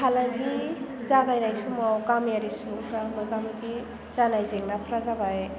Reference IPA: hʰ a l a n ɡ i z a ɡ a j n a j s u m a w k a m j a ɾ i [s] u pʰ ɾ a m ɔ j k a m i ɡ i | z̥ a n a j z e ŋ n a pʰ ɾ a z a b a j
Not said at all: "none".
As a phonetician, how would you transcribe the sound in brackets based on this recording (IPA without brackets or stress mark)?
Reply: s